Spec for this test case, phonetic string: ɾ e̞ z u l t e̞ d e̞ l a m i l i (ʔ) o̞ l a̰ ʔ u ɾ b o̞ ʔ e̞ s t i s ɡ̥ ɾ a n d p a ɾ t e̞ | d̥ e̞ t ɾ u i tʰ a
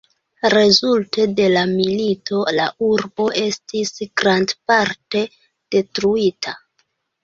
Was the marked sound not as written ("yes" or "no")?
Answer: yes